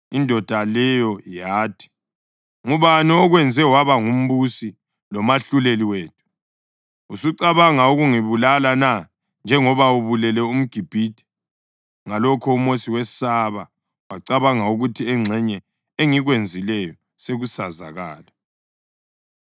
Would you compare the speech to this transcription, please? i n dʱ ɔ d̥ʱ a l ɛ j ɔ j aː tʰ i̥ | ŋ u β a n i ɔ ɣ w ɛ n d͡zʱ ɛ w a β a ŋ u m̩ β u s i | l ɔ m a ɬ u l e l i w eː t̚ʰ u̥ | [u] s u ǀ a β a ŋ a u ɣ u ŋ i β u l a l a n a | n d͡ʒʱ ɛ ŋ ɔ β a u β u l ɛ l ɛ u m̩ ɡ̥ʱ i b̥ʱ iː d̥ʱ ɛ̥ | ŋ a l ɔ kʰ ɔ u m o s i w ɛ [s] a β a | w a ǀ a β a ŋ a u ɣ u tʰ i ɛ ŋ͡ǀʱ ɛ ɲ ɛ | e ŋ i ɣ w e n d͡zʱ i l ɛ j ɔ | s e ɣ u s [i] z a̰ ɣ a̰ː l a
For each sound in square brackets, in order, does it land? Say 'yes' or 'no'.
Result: yes, yes, no

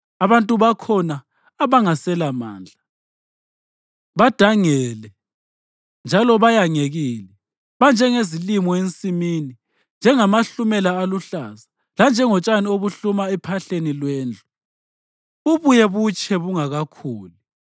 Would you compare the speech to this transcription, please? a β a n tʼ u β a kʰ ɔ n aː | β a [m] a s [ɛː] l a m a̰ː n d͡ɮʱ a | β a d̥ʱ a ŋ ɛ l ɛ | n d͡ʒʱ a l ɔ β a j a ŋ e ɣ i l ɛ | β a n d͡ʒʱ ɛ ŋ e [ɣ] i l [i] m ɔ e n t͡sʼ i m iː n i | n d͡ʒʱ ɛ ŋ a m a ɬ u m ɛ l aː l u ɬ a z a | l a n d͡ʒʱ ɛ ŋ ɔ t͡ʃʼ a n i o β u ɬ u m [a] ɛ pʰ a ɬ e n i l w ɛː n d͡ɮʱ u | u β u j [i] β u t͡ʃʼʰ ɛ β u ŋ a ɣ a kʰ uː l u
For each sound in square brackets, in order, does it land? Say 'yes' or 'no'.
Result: no, no, no, yes, yes, no

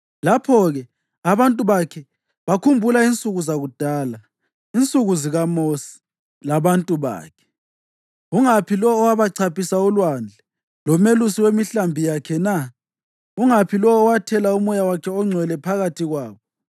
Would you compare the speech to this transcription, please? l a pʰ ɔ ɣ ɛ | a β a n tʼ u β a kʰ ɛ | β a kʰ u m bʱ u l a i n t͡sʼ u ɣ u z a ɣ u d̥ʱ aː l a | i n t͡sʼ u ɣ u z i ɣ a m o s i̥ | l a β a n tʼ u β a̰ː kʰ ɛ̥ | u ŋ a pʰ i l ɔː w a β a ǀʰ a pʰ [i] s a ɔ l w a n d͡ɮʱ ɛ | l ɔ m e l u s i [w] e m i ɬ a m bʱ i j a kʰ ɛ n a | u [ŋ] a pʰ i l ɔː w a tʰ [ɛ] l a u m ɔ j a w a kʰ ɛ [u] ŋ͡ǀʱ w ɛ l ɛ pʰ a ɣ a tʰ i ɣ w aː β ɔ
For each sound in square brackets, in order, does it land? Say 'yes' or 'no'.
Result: yes, yes, yes, yes, no

